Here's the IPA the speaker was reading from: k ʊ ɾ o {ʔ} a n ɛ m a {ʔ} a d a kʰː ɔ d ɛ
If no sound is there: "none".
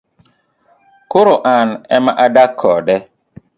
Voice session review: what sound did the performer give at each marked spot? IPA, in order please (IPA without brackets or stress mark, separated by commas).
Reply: ʔ, ʔ